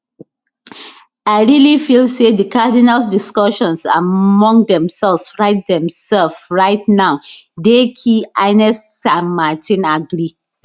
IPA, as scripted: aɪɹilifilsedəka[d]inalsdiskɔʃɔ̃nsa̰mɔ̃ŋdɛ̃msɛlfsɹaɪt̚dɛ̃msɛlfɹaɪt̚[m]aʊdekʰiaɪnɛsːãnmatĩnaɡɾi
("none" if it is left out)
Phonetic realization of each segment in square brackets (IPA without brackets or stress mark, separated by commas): d, n